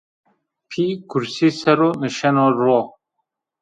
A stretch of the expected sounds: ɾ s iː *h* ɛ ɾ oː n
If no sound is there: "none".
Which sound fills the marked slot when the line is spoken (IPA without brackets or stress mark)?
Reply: s